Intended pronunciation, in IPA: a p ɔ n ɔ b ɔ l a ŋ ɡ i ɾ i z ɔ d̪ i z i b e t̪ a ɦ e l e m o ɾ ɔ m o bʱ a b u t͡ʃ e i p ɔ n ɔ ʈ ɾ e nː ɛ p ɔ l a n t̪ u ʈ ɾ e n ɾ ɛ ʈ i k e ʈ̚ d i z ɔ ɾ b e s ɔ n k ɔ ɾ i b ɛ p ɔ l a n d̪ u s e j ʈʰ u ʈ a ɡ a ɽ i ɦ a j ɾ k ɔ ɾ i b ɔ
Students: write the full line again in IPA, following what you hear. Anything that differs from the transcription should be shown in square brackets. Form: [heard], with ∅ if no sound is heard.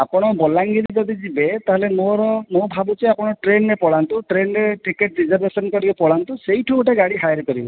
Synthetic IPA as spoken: a p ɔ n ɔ b ɔ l a ŋ ɡ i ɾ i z ɔ d̪ i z i b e t̪ a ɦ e l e m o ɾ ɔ m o bʱ a b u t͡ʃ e [a] p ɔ n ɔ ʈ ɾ e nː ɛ p ɔ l a n t̪ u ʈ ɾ e n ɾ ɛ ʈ i k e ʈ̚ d i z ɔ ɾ b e s ɔ n k ɔ ɾ i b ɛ p ɔ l a n [t̪] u s e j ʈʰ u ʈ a ɡ a ɽ i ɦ a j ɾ k ɔ ɾ i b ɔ